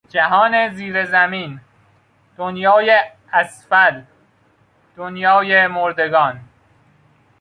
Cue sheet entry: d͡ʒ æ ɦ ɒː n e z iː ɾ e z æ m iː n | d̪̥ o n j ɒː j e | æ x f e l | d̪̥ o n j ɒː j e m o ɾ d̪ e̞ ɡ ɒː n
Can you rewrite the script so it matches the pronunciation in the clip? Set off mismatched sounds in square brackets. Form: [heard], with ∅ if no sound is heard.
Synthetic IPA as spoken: d͡ʒ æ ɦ ɒː n e z iː ɾ e z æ m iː n | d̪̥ o n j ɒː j e | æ [s] f [æ] l | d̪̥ o n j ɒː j e m o ɾ d̪ e̞ ɡ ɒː n